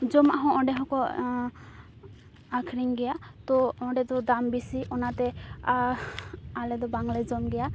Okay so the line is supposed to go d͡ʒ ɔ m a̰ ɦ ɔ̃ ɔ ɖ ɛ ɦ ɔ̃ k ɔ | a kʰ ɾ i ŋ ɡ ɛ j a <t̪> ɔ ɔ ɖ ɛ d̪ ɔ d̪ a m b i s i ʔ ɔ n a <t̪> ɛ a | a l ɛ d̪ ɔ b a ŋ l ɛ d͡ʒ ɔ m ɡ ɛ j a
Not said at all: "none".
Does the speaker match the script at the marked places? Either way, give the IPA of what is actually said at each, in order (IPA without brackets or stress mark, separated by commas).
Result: t̪, t̪